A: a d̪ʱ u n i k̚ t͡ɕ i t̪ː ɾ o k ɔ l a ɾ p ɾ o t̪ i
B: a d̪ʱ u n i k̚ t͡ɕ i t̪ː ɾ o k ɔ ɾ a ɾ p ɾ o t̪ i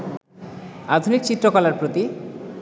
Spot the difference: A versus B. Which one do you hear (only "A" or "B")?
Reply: A